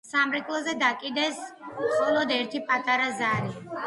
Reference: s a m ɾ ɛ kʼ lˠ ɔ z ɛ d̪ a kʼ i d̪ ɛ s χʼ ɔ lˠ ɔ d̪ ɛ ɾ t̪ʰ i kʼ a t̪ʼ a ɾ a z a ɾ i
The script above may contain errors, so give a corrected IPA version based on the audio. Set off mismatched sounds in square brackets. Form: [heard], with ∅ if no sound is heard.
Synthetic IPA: s a m ɾ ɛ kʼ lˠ ɔ z ɛ d̪ a kʼ i d̪ ɛ s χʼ ɔ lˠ ɔ d̪ ɛ ɾ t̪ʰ i [pʼ] a t̪ʼ a ɾ a z a ɾ i